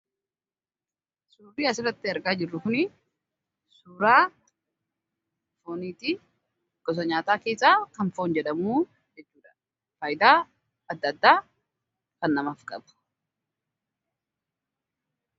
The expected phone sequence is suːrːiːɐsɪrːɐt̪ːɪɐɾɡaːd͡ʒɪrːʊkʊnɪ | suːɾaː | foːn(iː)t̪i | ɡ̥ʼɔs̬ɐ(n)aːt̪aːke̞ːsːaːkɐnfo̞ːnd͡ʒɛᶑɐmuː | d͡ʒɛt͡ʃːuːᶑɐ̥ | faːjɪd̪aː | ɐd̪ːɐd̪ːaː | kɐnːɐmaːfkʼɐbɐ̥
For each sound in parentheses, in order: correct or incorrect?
correct, incorrect

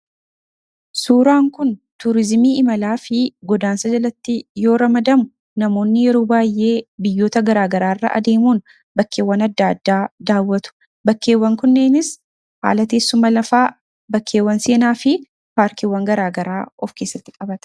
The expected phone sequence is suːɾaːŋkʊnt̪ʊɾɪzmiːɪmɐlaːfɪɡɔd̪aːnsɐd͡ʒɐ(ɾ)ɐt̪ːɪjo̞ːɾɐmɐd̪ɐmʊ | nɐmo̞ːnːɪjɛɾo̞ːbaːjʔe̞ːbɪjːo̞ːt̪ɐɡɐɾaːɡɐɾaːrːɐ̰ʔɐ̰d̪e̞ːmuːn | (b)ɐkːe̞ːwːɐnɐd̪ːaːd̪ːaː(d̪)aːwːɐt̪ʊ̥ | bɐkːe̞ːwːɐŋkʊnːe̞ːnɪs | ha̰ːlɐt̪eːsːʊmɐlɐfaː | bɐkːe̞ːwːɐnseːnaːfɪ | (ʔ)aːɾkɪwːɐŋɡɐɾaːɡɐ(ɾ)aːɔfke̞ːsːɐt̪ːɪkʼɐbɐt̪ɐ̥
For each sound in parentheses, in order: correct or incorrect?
incorrect, correct, correct, incorrect, correct

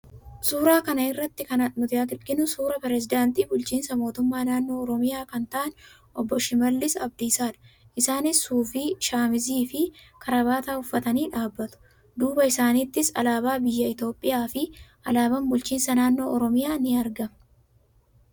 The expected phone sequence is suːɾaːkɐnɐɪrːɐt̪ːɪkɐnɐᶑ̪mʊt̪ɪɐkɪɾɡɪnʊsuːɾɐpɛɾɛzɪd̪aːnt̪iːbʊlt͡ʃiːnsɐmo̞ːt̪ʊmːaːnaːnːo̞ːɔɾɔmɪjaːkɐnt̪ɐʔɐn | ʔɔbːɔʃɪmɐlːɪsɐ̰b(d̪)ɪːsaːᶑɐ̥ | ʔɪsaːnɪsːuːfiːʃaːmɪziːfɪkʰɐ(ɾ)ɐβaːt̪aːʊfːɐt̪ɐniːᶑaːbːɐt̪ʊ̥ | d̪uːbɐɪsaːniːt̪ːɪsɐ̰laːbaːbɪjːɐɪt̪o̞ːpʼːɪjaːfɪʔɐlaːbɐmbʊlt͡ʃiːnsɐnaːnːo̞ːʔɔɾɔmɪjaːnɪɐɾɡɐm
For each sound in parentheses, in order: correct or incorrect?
correct, correct

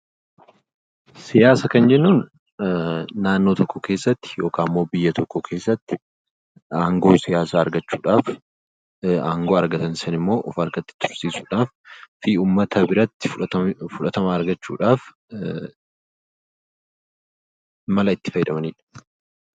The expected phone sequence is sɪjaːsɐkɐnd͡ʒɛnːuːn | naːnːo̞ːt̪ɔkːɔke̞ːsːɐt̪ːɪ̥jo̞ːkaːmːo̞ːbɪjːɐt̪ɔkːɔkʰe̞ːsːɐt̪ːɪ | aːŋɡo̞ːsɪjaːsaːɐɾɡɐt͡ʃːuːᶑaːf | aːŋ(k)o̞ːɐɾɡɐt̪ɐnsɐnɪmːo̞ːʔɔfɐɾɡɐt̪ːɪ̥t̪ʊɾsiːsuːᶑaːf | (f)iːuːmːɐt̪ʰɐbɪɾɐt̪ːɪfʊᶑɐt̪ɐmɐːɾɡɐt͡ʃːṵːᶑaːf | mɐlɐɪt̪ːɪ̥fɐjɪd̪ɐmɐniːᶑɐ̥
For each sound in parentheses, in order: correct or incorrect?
incorrect, correct

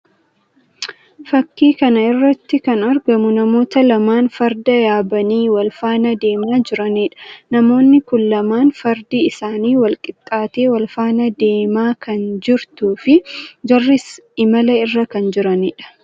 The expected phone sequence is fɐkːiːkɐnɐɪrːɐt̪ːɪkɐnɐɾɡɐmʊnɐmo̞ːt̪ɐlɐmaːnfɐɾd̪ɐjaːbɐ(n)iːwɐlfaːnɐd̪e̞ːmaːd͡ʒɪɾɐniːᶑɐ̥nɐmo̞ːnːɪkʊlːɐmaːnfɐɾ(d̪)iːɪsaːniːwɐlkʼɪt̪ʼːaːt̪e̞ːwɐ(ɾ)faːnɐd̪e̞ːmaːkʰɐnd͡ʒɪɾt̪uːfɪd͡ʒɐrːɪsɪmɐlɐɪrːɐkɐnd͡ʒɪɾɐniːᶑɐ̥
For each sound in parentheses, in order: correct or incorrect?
correct, correct, incorrect

